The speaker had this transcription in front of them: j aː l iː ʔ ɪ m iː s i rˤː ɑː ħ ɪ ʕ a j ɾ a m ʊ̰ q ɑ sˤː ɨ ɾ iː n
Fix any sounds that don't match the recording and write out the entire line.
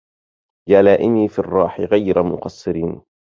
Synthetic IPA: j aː l aː ʔ ɪ m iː f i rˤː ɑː ħ ɪ ɣ a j ɾ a m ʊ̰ q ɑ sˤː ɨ ɾ iː n